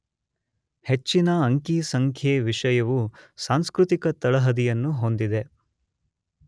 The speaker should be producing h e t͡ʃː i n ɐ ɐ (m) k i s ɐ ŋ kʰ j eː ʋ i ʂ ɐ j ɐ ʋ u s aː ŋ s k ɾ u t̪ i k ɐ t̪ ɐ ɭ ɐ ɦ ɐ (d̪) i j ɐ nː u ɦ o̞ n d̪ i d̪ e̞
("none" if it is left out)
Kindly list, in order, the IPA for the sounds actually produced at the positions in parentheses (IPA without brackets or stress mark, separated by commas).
ŋ, d̪